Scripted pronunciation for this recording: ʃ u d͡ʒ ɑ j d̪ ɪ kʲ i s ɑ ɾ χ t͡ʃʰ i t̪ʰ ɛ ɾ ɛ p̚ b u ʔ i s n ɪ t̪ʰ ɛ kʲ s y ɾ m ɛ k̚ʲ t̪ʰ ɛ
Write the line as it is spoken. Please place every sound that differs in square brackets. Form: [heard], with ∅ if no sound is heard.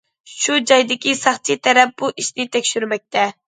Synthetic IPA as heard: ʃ u d͡ʒ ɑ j d̪ ɪ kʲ i s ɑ [∅] χ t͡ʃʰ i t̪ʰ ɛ ɾ ɛ p̚ b u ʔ i [ʃ] n ɪ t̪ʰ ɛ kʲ [ʃ] y ɾ m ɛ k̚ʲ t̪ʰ ɛ